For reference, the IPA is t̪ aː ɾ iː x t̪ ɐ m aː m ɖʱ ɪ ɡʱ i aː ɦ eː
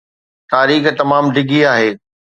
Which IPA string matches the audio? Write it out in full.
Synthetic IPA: t̪ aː ɾ iː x t̪ ɐ m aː m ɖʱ ɪ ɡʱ i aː ɦ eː

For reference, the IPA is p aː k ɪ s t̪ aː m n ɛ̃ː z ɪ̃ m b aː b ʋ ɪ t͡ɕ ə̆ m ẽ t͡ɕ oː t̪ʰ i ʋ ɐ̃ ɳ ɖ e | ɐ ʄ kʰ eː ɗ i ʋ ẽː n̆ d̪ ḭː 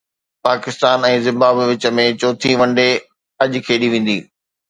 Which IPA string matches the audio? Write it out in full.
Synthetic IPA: p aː k ɪ s t̪ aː n ɛ̃ː z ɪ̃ m b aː b ʋ ɪ t͡ɕ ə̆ m ẽ t͡ɕ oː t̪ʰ i ʋ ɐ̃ ɳ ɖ e | ɐ ʄ kʰ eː ɗ i ʋ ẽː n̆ d̪ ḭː

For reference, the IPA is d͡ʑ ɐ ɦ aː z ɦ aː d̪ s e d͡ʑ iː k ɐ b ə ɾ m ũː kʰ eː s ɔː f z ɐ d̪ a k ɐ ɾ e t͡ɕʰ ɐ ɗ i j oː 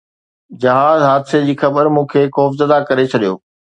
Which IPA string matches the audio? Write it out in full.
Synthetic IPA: d͡ʑ ɐ ɦ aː z ɦ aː d̪ s e d͡ʑ iː x ɐ b ə ɾ m ũː kʰ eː x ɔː f z ɐ d̪ a k ɐ ɾ e t͡ɕʰ ɐ ɗ i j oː

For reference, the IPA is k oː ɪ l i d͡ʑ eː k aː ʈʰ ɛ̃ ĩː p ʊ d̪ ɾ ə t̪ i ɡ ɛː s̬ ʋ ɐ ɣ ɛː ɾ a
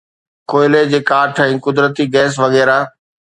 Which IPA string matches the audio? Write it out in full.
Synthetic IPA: k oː ɪ l e d͡ʑ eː k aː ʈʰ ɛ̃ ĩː k ʊ d̪ ɾ ə t̪ i ɡ ɛː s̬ ʋ ɐ ɣ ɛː ɾ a

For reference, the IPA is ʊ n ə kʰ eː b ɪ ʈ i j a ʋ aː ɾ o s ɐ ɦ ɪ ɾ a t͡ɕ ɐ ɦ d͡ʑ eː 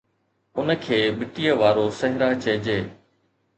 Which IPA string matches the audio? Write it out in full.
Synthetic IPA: ʊ n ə kʰ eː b ɪ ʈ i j ə ʋ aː ɾ o s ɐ ɦ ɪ ɾ a t͡ɕ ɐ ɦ d͡ʑ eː

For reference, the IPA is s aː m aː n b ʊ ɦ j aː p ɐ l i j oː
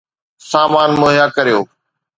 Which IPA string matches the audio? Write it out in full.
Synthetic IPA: s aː m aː n m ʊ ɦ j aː k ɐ ɾ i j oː

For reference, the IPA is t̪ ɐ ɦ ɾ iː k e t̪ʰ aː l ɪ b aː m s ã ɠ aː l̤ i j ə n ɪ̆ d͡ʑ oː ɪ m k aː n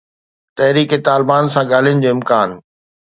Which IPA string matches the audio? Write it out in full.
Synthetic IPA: t̪ ɐ ɦ ɾ iː k e t̪ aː l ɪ b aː n s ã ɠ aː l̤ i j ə n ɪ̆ d͡ʑ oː ɪ m k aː n

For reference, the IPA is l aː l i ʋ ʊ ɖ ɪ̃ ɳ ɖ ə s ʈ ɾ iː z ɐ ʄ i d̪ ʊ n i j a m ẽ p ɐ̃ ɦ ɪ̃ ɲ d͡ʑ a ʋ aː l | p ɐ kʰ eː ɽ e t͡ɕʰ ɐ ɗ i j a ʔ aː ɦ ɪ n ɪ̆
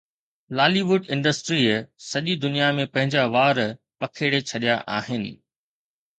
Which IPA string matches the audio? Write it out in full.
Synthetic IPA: l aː l i ʋ ʊ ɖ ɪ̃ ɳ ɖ ə s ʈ ɾ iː s ɐ ʄ i d̪ ʊ n i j a m ẽ p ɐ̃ ɦ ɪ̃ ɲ d͡ʑ a ʋ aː ɾ | p ɐ kʰ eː ɽ e t͡ɕʰ ɐ ɗ i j a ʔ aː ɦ ɪ n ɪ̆

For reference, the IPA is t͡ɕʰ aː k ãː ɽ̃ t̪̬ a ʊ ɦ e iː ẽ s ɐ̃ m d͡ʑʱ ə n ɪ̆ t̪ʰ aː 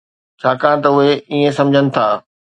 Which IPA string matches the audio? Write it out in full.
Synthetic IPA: t͡ɕʰ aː k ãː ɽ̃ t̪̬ ɐ ʊ ɦ e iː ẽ s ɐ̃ m d͡ʑʱ ə n ɪ̆ t̪ʰ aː

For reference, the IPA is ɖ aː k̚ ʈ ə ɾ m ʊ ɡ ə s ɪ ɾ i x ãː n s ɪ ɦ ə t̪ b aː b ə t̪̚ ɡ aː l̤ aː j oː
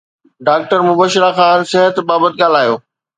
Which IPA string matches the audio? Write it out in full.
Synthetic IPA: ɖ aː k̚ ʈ ə ɾ m ʊ b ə ʃ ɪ ɾ a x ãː n s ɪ ɦ ə t̪ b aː b ə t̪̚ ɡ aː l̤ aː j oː

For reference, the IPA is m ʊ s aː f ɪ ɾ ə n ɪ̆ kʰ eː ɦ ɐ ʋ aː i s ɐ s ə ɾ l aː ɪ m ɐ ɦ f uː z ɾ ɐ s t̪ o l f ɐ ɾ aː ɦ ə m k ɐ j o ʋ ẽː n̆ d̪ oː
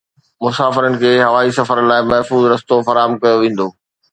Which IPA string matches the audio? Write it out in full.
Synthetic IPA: m ʊ s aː f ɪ ɾ ə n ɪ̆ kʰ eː ɦ ɐ ʋ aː i s ɐ f ə ɾ l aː ɪ m ɐ ɦ f uː z ɾ ɐ s t̪ o f ɐ ɾ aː ɦ ə m k ɐ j o ʋ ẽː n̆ d̪ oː

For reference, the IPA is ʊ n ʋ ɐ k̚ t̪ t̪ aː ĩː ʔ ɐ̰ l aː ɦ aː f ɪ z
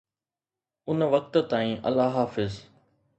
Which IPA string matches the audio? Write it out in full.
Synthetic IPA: ʊ n ʋ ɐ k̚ t̪ t̪ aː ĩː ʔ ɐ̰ l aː ɦ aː f ɪ z

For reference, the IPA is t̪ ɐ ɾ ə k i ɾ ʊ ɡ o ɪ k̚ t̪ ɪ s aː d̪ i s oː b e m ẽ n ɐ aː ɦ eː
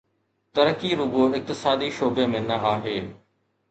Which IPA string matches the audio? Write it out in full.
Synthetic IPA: t̪ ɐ ɾ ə k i ɾ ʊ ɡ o ɪ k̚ t̪ ɪ s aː d̪ i ʃ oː b e m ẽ n ɐ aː ɦ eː

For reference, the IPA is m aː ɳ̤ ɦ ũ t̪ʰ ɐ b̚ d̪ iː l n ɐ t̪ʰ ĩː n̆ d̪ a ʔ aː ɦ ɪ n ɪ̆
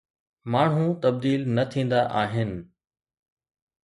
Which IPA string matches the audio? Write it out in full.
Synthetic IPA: m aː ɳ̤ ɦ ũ t̪ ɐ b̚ d̪ iː l n ɐ t̪ʰ ĩː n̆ d̪ a ʔ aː ɦ ɪ n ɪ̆

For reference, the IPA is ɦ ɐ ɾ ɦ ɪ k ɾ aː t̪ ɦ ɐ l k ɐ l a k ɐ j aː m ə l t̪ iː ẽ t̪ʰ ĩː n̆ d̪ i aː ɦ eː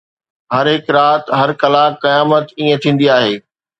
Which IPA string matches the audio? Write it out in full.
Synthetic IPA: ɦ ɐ ɾ ɦ ɪ k ɾ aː t̪ ɦ ɐ ɾ k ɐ l a k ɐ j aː m ə t̪ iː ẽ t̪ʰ ĩː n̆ d̪ i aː ɦ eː

